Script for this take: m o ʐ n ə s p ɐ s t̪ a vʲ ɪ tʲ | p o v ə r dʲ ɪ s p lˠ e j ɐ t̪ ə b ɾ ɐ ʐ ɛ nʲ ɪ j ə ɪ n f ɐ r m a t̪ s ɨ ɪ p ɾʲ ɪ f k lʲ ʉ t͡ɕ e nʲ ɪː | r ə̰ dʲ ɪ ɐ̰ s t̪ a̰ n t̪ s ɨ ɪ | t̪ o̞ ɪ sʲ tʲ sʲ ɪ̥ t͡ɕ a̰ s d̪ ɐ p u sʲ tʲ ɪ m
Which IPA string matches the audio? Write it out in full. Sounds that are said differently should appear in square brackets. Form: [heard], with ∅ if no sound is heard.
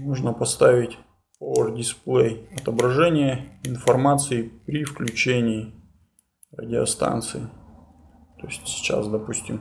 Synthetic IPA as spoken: m o ʐ n ə [∅] p ɐ s t̪ a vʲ ɪ tʲ | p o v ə r dʲ ɪ s p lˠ e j ɐ t̪ ə b ɾ ɐ ʐ ɛ nʲ ɪ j ə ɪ n f ɐ r m a t̪ s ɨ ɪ p ɾʲ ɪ f k lʲ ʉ t͡ɕ e nʲ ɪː | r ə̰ dʲ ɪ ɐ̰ s t̪ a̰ n t̪ s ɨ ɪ | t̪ o̞ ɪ sʲ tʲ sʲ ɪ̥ t͡ɕ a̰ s d̪ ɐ p u sʲ tʲ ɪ m